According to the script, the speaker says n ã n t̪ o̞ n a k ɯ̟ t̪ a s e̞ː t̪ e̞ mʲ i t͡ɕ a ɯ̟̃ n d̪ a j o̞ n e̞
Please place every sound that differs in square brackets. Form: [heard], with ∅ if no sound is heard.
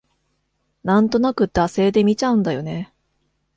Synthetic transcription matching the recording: n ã n t̪ o̞ n a k ɯ̟ [d̪] a s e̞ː [d̪] e̞ mʲ i t͡ɕ a ɯ̟̃ n d̪ a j o̞ n e̞